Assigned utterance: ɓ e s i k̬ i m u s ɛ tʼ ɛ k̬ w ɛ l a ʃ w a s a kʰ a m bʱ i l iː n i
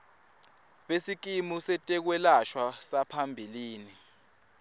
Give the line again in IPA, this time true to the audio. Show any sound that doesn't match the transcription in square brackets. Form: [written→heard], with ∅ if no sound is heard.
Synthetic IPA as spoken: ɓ e s i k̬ i m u s ɛ tʼ ɛ k̬ w ɛ l a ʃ w a s a [kʰ→pʰ] a m bʱ i l iː n i

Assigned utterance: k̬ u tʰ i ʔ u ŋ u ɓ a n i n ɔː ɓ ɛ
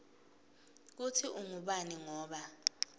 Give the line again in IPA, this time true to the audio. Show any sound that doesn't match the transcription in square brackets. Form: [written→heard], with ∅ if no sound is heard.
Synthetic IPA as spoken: k̬ u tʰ i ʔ u ŋ u ɓ a n i [n→ŋ] ɔː ɓ [ɛ→a]

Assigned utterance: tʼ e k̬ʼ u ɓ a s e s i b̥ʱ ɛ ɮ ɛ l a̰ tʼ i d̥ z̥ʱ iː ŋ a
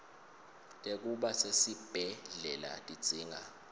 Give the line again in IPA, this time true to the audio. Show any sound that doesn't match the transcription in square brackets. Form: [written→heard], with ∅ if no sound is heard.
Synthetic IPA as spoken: tʼ e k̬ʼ u ɓ a s e s i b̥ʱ ɛ ɮ ɛ l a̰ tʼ i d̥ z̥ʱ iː ŋ a

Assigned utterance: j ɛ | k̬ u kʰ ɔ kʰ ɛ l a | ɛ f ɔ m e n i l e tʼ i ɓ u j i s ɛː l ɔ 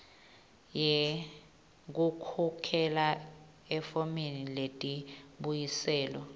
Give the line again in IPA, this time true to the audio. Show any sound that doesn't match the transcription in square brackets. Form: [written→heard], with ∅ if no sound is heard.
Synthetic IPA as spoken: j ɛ | k̬ u kʰ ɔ kʰ ɛ l a | ɛ f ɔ m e n i l e tʼ i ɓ u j i s ɛː l ɔ

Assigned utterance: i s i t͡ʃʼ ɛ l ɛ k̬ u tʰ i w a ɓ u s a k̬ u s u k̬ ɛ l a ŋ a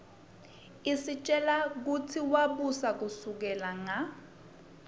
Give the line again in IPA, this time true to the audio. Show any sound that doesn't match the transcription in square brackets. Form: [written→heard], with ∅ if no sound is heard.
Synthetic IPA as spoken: i s i t͡ʃʼ ɛ l [ɛ→a] k̬ u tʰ i w a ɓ u s a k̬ u s u k̬ ɛ l a ŋ a

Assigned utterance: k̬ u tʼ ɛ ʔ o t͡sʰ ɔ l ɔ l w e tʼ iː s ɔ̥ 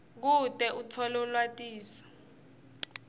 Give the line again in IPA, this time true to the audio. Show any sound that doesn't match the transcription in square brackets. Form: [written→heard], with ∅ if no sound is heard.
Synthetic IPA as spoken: k̬ u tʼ ɛ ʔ [o→u] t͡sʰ ɔ l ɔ l w [e→a] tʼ iː s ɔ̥

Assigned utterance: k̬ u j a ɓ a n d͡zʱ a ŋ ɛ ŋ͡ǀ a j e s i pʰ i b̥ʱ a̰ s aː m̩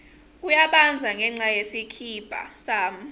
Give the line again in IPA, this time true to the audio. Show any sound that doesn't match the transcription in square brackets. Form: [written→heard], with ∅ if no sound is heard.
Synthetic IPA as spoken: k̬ u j a ɓ a n d͡zʱ a ŋ ɛ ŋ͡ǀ a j e s i [pʰ→kʰ] i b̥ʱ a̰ s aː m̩

